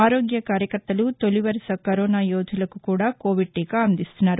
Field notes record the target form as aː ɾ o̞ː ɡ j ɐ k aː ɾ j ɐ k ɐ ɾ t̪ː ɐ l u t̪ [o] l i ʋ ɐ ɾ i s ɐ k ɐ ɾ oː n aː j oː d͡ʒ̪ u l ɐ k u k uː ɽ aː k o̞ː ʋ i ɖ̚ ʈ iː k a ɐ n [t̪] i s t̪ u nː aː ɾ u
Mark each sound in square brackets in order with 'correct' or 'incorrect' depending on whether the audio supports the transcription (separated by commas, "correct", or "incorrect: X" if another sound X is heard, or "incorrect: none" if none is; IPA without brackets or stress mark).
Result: correct, incorrect: d̪